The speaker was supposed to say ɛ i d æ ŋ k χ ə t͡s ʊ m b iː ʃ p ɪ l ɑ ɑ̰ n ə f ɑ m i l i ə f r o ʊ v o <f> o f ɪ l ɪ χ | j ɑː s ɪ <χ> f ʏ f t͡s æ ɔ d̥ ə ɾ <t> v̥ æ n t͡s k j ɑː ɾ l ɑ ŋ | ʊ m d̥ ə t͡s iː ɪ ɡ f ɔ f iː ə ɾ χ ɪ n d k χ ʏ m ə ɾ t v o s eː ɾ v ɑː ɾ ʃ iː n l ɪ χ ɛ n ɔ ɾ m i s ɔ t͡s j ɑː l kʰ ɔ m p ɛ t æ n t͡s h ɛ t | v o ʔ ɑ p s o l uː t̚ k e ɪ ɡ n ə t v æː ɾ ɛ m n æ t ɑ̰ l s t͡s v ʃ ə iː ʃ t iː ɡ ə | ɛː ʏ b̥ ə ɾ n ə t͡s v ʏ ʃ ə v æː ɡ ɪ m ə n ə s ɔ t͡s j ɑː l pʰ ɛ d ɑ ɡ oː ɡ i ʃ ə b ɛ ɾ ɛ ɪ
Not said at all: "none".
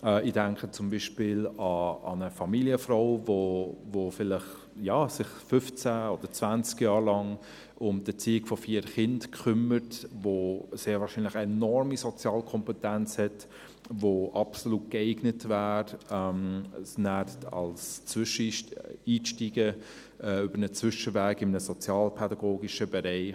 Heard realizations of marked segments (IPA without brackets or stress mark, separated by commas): v, χ, t͡s